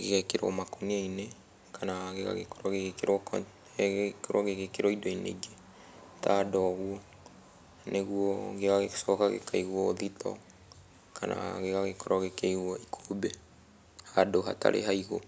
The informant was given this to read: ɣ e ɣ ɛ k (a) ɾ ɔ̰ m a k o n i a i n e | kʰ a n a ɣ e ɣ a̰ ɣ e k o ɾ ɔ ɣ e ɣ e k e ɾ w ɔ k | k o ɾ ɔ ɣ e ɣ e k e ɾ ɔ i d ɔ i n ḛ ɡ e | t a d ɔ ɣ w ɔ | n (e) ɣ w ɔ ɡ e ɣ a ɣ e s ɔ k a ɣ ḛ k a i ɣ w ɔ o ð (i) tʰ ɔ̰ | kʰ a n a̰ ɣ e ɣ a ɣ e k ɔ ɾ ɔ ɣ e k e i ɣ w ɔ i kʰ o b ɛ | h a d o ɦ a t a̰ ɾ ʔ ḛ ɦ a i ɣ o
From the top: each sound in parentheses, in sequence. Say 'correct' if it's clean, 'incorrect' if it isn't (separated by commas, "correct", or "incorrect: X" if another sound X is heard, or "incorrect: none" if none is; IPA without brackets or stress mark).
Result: incorrect: e, correct, correct